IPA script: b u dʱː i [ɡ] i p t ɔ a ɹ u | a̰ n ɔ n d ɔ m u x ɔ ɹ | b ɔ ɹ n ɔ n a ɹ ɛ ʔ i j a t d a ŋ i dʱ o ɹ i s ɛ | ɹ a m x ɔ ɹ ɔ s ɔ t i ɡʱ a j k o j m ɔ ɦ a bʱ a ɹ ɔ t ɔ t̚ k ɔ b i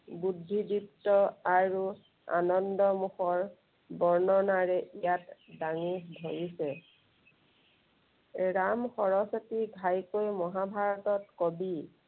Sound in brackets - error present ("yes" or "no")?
yes